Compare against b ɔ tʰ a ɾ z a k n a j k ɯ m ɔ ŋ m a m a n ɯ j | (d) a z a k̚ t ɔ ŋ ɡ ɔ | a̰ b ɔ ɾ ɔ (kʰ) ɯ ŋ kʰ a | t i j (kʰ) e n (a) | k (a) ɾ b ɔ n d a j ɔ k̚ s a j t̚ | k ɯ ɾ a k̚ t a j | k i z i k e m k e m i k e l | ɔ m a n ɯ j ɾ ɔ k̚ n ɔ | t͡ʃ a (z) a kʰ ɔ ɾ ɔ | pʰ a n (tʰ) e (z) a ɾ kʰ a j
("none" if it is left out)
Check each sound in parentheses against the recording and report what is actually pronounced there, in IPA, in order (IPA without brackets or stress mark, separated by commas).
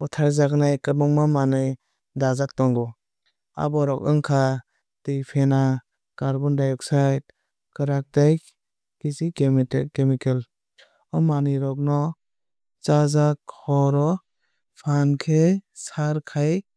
d, k, pʰ, a, a, z, kʰ, s